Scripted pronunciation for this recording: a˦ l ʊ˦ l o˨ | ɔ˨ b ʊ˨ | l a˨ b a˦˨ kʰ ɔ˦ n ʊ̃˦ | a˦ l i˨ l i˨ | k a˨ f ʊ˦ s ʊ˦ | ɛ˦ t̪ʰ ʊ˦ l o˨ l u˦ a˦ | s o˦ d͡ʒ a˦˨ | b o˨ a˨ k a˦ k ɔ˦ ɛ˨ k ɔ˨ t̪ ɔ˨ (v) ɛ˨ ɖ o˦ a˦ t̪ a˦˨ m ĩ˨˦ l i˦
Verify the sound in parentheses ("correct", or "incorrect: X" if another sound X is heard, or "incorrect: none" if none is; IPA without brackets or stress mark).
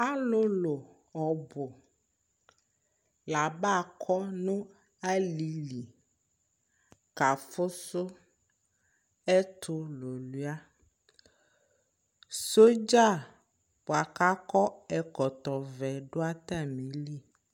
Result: correct